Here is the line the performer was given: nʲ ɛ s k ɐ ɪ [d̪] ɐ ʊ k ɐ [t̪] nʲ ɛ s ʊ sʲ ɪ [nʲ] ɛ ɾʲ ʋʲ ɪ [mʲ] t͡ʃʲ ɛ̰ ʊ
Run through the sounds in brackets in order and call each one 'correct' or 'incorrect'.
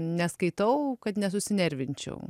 incorrect: t̪, correct, correct, incorrect: nʲ

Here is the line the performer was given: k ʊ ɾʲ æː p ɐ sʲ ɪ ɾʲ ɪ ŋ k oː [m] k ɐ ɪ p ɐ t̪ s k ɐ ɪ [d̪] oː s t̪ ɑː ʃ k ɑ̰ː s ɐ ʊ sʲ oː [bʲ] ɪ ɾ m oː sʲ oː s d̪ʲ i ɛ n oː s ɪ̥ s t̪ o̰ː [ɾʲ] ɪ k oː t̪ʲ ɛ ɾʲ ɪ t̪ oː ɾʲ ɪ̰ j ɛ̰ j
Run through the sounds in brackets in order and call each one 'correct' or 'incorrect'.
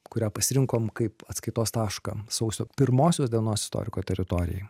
correct, incorrect: t̪, incorrect: pʲ, correct

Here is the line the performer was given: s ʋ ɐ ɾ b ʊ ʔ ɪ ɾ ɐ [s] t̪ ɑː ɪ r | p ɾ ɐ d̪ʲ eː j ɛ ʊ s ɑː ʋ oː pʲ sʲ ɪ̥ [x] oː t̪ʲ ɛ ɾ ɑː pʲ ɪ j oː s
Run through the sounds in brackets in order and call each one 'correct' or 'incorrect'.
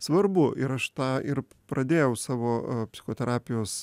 incorrect: ʃ, correct

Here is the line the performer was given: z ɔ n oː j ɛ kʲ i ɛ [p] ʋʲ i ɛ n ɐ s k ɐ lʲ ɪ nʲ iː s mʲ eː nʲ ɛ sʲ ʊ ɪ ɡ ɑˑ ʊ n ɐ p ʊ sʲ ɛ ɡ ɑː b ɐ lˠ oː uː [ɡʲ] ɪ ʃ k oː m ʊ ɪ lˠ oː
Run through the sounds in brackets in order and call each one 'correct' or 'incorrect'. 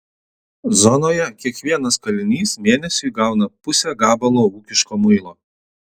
incorrect: k, incorrect: kʲ

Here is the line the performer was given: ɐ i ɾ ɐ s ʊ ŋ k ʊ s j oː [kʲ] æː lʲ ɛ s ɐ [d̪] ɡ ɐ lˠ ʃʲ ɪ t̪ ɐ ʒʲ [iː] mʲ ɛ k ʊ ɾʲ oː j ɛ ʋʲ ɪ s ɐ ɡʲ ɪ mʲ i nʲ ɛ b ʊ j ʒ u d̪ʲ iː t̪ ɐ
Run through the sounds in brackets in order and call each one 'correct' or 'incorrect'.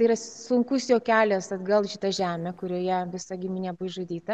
correct, correct, incorrect: æː

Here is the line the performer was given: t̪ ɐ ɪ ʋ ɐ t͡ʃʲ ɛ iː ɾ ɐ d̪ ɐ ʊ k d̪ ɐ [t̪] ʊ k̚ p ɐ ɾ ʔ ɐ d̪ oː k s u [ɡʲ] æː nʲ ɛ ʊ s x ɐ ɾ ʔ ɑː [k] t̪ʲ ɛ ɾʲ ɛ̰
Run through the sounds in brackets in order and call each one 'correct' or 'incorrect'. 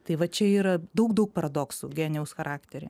incorrect: none, correct, correct

